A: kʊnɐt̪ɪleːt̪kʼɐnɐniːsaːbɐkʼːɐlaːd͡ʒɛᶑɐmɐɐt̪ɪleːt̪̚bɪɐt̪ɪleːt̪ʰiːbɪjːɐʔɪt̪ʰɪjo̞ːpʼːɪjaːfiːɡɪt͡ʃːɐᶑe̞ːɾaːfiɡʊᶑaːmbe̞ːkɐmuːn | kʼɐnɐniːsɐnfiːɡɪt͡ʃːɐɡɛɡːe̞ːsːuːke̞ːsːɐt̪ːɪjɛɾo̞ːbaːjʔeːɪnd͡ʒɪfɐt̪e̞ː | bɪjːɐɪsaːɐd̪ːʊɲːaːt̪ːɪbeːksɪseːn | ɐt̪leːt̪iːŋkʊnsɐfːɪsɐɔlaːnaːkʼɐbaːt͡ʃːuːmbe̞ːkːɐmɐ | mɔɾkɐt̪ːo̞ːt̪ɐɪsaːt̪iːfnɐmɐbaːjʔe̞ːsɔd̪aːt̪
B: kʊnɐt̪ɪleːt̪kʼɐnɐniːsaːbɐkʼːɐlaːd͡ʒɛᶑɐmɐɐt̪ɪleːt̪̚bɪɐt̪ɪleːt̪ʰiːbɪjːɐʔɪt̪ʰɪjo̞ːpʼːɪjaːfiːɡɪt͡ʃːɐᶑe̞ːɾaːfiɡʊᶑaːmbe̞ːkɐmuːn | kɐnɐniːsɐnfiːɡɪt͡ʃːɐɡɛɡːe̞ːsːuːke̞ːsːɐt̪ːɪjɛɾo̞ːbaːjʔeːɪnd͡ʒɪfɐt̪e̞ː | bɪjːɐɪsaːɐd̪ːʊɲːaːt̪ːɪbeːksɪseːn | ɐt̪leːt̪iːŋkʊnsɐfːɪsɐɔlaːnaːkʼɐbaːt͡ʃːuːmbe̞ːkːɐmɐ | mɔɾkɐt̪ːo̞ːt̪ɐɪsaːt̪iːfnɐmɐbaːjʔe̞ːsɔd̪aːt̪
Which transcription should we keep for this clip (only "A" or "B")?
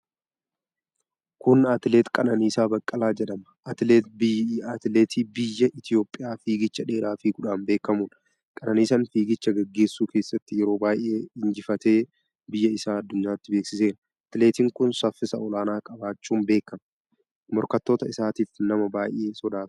A